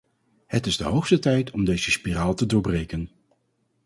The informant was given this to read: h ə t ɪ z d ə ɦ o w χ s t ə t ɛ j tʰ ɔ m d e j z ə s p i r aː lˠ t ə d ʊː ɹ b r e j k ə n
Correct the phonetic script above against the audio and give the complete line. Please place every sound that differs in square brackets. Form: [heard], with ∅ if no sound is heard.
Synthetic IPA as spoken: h ə t ɪ z d ə ɦ o w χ s t ə t ɛ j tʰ ɔ m d e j z ə s p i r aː lˠ t ə d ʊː ɹ b r e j k ə n